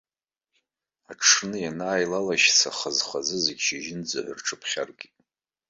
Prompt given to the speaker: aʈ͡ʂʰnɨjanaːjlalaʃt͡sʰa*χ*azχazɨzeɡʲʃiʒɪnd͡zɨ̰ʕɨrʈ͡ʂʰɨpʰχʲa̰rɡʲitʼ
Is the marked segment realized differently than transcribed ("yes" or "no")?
no